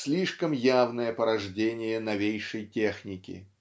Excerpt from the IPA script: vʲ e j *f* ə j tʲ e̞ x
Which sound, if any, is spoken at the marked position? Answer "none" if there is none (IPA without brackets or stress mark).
ʂ